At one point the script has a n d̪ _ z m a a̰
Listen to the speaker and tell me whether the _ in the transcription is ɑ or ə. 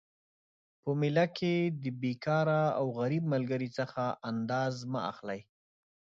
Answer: ɑ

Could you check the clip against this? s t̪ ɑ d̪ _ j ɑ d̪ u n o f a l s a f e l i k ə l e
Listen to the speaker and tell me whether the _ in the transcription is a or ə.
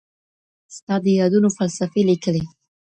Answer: ə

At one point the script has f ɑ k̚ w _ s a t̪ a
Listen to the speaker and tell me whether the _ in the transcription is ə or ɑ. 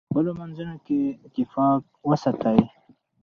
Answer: ə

